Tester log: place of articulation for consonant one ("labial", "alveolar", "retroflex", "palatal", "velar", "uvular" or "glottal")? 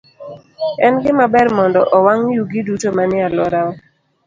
alveolar